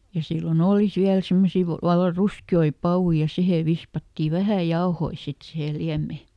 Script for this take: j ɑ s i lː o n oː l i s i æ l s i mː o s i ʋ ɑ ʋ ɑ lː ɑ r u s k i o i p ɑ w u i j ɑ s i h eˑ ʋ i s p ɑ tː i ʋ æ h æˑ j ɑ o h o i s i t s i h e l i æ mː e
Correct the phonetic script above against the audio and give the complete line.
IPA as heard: j ɑ s i lː o n oː l i s i æ l s i mː o s i ʋ ɑ ʋ ɑ lː ɑ r u s k i o i p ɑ w u i j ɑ s i h eˑ ʋ i s p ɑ tː i ʋ æ h æˑ j ɑ o h o i s i t s i h e l i æ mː e